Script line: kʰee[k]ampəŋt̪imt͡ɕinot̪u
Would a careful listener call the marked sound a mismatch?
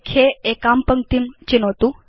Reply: no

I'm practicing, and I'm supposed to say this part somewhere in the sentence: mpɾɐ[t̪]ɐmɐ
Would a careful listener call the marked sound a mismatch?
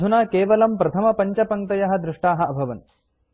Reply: yes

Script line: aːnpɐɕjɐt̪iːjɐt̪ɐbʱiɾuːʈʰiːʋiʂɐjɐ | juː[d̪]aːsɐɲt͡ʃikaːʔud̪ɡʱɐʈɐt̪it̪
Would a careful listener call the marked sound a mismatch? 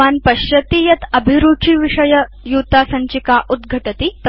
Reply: yes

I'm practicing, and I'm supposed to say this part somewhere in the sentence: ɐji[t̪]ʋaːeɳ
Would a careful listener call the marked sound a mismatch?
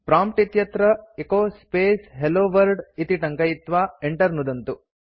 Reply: no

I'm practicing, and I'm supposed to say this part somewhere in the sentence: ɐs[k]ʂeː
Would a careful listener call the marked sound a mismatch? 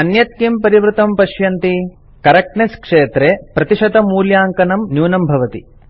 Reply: no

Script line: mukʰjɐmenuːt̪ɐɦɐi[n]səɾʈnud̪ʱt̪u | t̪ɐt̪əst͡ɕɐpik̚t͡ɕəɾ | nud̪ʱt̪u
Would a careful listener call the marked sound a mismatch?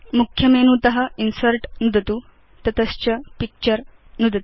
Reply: no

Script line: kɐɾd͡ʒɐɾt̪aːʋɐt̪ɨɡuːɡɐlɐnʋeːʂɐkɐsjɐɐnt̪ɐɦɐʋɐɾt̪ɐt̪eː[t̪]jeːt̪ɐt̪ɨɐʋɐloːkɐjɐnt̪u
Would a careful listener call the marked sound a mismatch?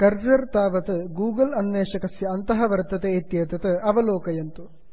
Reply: no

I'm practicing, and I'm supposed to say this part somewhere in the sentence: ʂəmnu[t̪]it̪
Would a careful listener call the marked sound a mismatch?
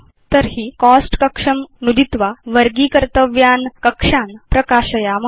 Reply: yes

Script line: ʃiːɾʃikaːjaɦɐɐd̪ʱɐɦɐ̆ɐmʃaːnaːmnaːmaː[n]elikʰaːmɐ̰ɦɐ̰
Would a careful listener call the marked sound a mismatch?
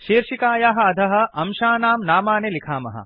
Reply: no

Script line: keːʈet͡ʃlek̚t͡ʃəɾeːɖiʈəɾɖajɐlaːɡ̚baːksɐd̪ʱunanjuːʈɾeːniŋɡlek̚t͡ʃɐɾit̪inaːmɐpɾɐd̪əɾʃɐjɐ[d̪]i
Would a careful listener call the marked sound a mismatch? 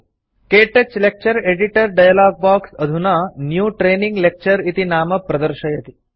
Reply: yes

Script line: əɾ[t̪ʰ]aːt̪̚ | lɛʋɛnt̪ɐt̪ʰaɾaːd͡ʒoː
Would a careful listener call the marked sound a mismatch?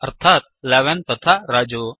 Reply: no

